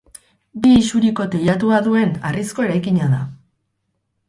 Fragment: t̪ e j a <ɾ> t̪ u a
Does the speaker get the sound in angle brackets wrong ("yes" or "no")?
yes